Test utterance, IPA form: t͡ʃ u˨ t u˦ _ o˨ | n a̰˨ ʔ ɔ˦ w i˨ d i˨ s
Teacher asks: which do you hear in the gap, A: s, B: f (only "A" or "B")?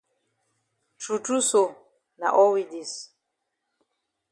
A